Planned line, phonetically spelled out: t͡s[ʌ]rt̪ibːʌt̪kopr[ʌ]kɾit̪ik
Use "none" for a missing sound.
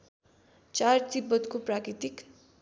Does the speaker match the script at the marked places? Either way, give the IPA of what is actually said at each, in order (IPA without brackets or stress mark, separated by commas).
a, a